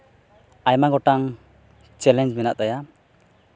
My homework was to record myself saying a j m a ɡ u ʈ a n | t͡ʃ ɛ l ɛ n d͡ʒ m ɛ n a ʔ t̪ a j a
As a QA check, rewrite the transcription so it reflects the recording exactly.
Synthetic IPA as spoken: a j m a ɡ ɔ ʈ a ŋ | t͡ʃ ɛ l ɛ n d͡ʒ m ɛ n a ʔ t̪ a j a